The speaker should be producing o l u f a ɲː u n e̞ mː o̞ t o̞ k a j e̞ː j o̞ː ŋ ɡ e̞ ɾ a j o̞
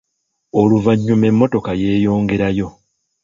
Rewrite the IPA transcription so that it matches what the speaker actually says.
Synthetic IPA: o l u v a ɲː u m e̞ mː o̞ t o̞ k a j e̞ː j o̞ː ŋ ɡ e̞ ɾ a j o̞